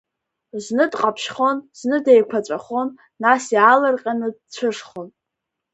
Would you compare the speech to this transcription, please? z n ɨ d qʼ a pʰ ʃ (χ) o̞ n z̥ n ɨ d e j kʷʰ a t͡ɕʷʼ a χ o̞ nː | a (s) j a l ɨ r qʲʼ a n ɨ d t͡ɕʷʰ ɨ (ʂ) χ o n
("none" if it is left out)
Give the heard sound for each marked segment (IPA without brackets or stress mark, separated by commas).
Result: χ, s, ʂ